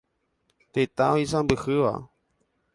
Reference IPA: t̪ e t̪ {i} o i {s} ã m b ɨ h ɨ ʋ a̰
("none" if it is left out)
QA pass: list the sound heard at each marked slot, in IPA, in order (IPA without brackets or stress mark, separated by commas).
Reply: a, s